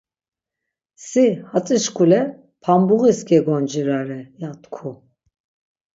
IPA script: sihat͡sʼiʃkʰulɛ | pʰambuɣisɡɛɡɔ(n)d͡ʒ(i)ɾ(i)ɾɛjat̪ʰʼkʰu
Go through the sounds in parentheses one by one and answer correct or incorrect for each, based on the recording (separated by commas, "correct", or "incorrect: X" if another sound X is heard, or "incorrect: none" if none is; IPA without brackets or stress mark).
correct, correct, incorrect: a